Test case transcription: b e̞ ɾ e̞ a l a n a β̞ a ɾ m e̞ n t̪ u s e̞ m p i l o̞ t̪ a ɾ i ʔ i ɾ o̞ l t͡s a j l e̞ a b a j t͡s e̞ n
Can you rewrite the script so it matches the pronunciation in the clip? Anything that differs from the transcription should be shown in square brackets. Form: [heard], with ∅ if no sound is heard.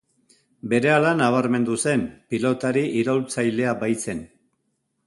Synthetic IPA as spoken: b e̞ ɾ e̞ a l a n a β̞ a ɾ m e̞ n [d̪] u s e̞ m p i l o̞ t̪ a ɾ i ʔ i ɾ o̞ l t͡s a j l e̞ a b a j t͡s e̞ n